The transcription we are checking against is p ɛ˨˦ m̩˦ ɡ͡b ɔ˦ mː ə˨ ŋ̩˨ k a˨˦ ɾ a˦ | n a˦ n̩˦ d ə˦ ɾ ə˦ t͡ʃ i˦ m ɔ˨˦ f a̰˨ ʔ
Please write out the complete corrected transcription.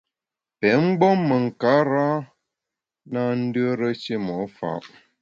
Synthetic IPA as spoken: p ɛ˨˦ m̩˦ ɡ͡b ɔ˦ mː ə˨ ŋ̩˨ k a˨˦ ɾ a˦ | n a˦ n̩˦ d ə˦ ɾ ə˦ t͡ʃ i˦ m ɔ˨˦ f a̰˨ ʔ